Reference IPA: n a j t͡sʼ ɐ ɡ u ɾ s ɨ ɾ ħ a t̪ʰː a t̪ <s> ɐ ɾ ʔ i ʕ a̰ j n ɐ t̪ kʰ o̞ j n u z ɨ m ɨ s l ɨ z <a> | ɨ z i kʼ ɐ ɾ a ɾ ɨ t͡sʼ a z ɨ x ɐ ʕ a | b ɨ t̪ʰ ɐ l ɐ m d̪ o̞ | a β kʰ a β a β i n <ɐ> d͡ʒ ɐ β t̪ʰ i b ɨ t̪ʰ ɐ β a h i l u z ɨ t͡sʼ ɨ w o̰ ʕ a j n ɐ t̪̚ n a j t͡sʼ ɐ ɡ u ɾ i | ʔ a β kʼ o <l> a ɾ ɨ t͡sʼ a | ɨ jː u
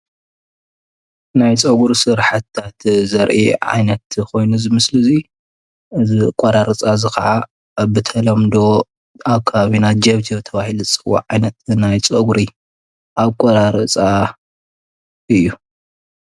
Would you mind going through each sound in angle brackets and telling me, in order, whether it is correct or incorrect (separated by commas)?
incorrect, incorrect, incorrect, incorrect